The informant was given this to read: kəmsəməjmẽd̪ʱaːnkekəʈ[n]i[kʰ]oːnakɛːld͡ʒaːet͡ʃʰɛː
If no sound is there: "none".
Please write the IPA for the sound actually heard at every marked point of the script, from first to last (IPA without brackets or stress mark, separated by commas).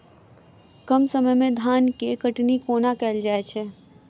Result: n, k